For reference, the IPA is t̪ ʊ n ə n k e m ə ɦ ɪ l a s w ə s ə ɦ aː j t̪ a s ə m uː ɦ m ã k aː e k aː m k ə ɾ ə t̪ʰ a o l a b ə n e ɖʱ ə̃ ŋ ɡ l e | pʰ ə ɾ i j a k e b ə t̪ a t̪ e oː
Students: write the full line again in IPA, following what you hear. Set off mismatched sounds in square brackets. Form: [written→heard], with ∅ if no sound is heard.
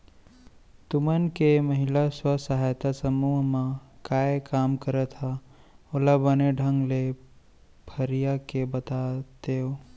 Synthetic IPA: t̪ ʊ [n→m] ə n k e m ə ɦ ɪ l a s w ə s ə ɦ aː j t̪ a s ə m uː ɦ m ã k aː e k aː m k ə ɾ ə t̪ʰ a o l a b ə n e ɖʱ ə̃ ŋ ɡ l e | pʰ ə ɾ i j a k e b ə t̪ a t̪ e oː